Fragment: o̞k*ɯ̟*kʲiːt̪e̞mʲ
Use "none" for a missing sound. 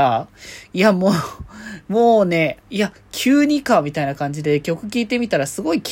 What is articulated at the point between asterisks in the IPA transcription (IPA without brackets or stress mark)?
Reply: ɯ̟